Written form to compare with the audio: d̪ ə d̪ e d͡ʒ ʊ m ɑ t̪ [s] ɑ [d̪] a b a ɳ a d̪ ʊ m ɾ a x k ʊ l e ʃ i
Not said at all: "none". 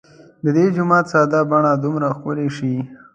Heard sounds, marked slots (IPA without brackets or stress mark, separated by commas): s, d̪